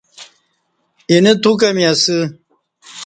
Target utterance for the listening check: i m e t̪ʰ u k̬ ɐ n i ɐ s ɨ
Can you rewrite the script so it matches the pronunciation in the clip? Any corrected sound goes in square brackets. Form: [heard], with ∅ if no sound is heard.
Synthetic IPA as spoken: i [n] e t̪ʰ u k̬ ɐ [m] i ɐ s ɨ